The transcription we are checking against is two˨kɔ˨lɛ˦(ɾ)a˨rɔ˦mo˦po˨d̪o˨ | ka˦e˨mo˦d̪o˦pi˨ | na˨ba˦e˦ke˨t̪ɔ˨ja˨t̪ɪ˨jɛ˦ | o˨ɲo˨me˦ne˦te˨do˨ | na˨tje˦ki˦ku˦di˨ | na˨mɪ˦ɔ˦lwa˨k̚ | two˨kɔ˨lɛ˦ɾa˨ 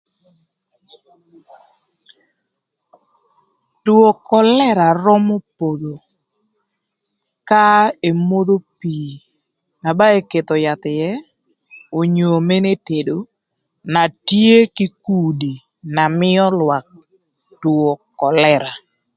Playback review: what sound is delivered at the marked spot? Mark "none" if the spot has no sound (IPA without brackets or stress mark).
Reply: ɾ